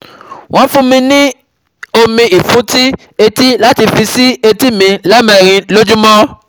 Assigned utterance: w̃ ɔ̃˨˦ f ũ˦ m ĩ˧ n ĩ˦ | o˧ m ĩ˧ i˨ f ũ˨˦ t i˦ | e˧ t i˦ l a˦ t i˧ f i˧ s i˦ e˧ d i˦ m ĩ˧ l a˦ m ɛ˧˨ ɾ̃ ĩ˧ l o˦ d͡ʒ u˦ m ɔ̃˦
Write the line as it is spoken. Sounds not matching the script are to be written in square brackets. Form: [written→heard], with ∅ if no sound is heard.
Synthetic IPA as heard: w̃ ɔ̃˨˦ f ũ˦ m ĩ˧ n ĩ˦ | o˧ m ĩ˧ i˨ f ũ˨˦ t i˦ | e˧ t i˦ l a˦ t i˧ f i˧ s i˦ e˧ [d→t] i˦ m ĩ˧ l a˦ m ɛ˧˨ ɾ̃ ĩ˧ l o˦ d͡ʒ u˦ m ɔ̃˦